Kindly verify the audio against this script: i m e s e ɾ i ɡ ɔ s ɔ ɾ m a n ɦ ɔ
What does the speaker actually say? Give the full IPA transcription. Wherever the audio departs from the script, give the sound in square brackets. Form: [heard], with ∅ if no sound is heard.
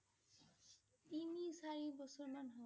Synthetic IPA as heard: i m [i] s [a] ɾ i [b] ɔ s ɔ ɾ m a n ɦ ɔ